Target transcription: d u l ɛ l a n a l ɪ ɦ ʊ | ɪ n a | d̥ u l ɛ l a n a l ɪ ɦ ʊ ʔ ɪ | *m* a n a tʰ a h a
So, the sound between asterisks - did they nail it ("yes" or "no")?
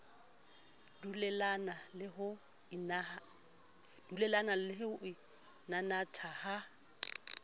no